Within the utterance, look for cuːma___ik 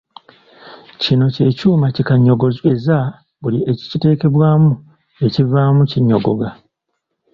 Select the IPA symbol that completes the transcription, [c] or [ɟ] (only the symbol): c